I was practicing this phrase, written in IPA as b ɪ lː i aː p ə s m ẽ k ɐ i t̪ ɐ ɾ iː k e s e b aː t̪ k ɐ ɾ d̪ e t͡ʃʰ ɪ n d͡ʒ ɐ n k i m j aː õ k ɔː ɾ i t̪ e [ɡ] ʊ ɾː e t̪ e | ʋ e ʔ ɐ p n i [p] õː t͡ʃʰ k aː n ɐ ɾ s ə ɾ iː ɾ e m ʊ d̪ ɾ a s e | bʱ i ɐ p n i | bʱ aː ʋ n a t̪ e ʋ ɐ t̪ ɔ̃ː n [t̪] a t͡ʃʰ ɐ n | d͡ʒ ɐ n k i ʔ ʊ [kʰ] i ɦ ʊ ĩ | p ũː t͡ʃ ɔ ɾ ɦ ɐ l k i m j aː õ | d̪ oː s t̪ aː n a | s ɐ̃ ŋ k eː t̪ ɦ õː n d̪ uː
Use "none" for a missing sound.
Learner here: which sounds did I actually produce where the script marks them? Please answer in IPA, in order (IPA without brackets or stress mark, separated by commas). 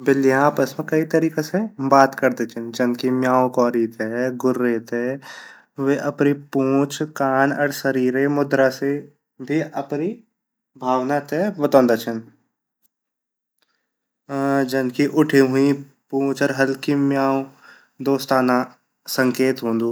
ɡ, p, d̪, ʈʰ